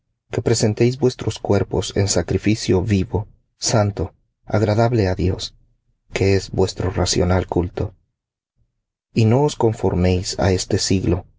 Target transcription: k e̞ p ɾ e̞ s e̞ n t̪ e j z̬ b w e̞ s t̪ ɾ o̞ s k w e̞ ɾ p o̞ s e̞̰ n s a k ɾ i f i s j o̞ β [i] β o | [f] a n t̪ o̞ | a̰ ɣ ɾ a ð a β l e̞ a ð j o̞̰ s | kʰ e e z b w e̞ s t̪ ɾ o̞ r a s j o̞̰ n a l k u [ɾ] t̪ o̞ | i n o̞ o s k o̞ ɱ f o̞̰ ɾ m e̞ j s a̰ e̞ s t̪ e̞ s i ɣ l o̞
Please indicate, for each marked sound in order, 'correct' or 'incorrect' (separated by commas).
correct, incorrect, incorrect